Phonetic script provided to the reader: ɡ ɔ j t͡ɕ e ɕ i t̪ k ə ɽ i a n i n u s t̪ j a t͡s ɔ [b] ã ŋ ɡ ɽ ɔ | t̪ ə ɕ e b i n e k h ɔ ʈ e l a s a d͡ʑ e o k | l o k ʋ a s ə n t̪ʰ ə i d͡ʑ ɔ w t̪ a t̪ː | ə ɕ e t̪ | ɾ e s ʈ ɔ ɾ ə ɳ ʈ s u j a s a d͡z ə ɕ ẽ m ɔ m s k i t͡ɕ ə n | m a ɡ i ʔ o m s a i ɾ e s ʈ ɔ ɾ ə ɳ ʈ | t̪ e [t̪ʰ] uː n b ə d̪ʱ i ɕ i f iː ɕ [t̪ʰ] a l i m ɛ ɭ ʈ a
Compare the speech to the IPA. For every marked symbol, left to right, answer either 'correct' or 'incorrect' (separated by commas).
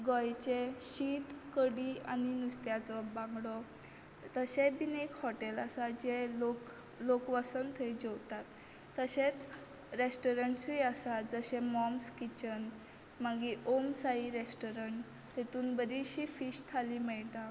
correct, incorrect, correct